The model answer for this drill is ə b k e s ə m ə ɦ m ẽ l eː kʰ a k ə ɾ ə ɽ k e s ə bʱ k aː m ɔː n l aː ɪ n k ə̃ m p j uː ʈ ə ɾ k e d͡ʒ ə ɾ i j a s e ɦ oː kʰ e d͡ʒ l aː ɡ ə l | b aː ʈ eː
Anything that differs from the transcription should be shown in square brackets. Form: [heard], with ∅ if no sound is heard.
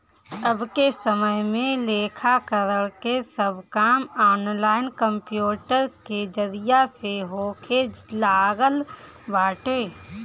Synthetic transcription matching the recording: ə b k e s ə m ə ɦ m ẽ l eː kʰ a k ə ɾ ə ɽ k e s ə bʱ k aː m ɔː n l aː ɪ n k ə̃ m p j uː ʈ ə ɾ k e d͡ʒ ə ɾ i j a s e ɦ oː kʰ e d͡ʒ l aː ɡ ə l | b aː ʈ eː